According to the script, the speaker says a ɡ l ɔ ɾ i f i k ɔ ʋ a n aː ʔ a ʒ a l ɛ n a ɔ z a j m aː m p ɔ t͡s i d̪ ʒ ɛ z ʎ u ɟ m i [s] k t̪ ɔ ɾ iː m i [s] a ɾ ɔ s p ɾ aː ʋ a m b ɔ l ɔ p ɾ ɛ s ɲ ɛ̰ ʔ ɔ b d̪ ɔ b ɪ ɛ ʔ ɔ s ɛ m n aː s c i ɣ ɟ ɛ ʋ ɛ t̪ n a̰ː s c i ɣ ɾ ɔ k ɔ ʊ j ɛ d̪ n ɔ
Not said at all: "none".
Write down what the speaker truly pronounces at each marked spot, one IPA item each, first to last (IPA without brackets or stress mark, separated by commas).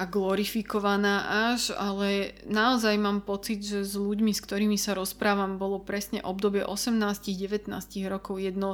s, s